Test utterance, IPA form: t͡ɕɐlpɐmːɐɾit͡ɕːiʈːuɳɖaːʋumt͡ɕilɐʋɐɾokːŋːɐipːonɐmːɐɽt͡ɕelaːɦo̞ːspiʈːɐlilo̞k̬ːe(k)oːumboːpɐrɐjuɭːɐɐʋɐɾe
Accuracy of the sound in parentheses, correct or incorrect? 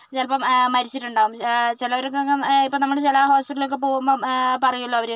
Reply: incorrect: p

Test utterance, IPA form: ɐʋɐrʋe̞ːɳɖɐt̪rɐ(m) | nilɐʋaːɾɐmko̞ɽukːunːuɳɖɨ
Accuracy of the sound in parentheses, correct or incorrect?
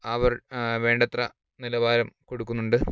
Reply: incorrect: none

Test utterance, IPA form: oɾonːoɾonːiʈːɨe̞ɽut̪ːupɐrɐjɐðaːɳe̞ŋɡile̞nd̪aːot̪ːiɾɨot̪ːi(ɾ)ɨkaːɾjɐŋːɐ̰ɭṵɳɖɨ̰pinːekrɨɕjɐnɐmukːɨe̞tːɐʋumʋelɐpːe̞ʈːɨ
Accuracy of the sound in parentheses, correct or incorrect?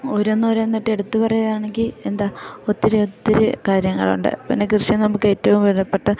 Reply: correct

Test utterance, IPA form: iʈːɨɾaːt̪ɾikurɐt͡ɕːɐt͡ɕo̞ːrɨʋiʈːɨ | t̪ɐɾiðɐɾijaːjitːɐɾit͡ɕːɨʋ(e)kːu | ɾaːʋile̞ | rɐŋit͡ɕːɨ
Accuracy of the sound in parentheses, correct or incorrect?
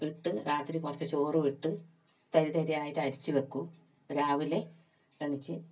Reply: correct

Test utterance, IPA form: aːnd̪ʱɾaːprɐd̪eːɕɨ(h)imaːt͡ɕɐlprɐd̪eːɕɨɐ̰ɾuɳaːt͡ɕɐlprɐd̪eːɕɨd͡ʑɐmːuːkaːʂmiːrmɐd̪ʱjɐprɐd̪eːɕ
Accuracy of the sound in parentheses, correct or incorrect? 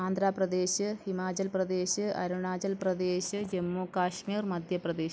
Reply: correct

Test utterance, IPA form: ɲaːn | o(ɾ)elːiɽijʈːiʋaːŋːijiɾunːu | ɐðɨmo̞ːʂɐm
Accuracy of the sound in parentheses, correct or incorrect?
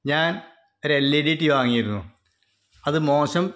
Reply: correct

